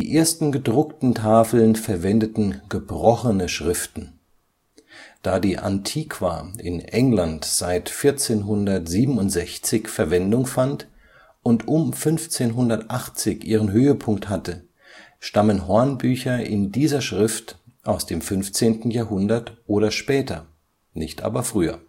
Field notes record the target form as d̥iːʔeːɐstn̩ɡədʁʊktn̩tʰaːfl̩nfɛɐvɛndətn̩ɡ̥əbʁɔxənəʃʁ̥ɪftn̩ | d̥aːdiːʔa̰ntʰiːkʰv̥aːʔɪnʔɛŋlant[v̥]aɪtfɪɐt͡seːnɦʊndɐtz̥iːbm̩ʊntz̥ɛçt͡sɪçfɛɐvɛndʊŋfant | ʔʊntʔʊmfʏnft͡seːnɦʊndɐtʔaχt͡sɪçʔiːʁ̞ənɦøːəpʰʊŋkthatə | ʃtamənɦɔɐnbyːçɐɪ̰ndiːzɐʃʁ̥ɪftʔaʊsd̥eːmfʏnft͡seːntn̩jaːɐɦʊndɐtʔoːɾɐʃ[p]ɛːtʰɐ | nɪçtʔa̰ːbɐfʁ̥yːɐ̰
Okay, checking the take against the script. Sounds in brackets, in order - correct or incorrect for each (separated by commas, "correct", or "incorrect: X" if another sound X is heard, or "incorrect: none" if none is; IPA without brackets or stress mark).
incorrect: z̥, correct